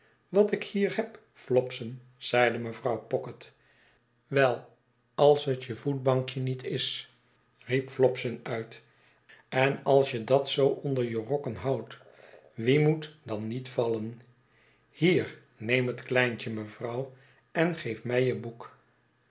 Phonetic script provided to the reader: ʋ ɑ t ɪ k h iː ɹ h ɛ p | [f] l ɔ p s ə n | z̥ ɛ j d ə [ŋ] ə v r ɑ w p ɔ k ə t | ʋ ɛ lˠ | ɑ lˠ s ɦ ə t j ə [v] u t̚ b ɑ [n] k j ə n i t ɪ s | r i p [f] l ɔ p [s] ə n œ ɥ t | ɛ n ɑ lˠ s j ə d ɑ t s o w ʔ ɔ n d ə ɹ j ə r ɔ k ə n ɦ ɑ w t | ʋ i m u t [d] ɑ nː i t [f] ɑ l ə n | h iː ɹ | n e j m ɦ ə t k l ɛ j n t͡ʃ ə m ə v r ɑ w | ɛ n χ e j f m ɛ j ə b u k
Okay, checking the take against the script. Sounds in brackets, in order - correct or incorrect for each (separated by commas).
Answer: correct, incorrect, correct, incorrect, correct, correct, correct, correct